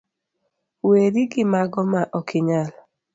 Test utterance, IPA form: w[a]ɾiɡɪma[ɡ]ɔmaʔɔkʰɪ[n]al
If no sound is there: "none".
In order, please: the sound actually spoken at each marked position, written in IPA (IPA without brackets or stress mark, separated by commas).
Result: e, ɡ, ɲ